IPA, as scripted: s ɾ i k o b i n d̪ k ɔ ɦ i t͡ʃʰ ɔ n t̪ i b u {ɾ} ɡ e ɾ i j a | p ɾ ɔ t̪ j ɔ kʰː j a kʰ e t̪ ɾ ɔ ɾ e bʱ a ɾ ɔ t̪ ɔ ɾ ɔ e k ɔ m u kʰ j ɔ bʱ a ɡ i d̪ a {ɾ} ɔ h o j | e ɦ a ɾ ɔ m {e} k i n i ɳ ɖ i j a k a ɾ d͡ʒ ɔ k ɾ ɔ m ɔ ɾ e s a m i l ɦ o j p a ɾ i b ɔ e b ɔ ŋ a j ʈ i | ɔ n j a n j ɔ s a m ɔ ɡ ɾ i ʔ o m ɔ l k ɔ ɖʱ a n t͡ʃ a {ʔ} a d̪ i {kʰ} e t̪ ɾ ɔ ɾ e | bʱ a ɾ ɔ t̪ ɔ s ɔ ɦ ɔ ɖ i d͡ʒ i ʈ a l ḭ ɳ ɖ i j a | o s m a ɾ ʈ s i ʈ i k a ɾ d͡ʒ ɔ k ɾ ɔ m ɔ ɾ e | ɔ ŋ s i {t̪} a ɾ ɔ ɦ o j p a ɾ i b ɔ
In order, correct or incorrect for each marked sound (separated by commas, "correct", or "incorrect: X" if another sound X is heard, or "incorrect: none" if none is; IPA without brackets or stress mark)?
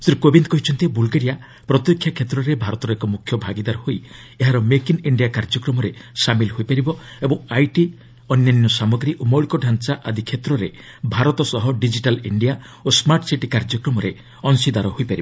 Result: incorrect: l, correct, correct, correct, correct, incorrect: d̪